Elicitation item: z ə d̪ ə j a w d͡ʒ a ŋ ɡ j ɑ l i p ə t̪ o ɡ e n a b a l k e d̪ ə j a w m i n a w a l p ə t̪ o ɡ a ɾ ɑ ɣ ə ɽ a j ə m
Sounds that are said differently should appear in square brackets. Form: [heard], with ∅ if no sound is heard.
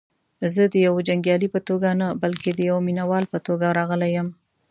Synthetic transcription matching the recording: z ə d̪ ə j a w d͡ʒ a ŋ ɡ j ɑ l i p ə t̪ o ɡ [a] n a b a l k e d̪ ə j a w m i n a w [ɑ] l p ə t̪ o ɡ a ɾ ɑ ɣ ə [l] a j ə m